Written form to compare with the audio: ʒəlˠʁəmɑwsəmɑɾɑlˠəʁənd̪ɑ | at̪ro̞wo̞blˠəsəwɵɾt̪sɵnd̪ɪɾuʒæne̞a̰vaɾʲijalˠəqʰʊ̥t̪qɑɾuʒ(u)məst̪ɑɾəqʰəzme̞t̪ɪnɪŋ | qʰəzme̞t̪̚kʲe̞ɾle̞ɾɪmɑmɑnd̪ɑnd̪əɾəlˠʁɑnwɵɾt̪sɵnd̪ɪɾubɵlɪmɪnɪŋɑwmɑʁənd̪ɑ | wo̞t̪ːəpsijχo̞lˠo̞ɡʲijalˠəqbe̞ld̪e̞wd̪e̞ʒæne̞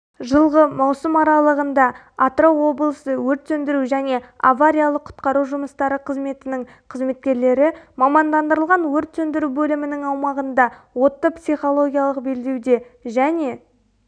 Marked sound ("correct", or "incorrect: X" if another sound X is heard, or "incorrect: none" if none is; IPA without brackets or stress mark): incorrect: ʊ